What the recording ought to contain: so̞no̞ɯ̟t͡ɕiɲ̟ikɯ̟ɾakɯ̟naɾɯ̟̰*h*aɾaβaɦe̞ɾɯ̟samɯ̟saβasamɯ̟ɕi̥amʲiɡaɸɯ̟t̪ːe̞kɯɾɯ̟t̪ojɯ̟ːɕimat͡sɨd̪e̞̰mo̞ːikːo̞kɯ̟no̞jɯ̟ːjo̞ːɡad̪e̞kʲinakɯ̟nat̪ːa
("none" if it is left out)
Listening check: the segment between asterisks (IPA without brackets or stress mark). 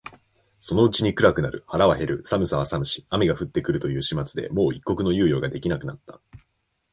h